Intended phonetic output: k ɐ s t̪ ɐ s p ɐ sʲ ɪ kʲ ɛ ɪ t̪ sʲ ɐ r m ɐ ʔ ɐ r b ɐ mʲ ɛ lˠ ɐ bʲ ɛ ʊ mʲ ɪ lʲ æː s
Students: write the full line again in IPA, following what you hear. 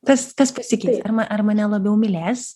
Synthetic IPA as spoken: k ɐ s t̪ ɐ s p ɐ sʲ ɪ kʲ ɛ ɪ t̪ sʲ ɐ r m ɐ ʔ ɐ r m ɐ nʲ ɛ lˠ ɐ bʲ ɛ ʊ mʲ ɪ lʲ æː s